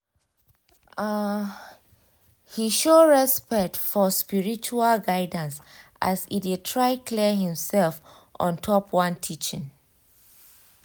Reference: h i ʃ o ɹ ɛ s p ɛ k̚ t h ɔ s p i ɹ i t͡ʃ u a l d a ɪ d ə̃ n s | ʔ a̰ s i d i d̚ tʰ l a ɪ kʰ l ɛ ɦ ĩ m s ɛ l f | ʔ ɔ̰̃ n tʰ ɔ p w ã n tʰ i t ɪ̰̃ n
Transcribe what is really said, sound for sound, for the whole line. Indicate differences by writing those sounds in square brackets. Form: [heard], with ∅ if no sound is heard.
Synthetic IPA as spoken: h i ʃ o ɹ ɛ s p ɛ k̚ t [f] ɔ s p i ɹ i t͡ʃ u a l [ɡ] a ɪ d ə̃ n s | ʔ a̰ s i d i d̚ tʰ [ɹ] a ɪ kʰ l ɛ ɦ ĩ m s ɛ l f | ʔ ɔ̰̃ n tʰ ɔ p w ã n tʰ i [t͡ʃ] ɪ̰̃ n